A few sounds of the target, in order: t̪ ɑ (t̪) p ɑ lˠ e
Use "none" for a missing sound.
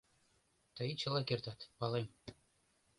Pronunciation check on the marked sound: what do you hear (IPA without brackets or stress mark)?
t̪